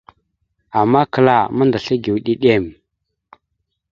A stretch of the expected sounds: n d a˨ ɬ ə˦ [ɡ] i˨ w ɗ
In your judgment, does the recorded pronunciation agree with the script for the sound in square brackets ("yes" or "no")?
yes